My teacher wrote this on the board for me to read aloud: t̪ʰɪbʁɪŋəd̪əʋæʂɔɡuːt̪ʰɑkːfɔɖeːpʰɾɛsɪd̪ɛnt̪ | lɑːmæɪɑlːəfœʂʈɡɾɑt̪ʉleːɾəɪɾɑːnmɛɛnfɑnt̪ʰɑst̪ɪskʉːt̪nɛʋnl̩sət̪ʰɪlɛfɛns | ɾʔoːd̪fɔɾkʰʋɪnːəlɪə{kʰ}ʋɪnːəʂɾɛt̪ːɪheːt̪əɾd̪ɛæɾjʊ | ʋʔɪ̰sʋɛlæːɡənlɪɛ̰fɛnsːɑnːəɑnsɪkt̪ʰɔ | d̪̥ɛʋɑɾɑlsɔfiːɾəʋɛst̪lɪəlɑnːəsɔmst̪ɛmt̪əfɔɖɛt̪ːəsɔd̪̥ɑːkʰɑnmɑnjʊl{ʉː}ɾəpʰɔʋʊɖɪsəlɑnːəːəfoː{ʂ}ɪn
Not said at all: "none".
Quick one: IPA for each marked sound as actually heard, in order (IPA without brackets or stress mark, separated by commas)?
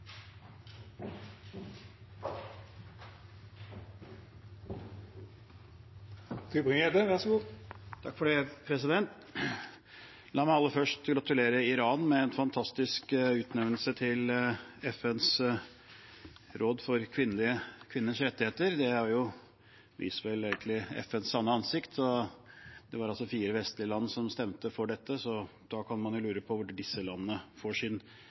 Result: kʰ, ʉː, ʂ